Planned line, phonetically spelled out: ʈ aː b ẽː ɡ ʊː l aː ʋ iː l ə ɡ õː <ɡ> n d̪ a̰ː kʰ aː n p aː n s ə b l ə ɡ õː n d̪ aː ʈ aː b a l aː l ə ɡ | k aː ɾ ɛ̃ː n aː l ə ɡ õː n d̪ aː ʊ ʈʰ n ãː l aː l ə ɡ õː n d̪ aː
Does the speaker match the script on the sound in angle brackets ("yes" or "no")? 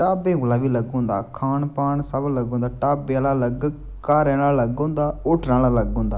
no